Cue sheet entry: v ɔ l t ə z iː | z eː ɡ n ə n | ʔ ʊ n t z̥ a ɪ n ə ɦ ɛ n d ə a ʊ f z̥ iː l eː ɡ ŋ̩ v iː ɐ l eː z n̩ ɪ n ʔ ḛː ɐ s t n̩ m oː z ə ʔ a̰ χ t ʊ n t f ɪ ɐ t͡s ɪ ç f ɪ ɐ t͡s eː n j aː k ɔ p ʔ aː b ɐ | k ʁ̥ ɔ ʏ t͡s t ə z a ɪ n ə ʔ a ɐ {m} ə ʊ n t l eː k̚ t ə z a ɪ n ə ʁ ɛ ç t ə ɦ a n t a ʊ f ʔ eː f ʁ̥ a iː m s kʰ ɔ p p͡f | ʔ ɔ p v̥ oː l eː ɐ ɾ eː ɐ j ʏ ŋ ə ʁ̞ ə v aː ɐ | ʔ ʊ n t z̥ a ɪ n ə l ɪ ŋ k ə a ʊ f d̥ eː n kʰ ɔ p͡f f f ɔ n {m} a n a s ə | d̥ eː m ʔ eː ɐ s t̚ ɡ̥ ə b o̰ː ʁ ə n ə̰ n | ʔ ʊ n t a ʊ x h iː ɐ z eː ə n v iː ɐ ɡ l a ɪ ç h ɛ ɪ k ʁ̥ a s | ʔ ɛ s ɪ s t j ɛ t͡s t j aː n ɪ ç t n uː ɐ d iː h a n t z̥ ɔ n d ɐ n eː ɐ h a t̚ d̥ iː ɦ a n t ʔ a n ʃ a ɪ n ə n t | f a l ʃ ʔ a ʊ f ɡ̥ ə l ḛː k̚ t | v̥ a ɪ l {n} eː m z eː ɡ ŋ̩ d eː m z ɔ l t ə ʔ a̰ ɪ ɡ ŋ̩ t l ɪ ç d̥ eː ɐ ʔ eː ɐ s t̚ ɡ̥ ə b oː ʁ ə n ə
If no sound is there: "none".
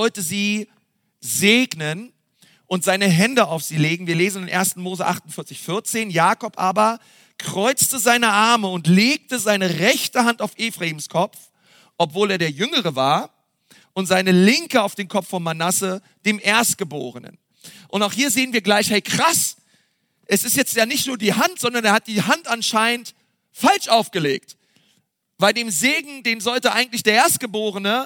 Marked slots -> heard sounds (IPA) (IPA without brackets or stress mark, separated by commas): m, m, d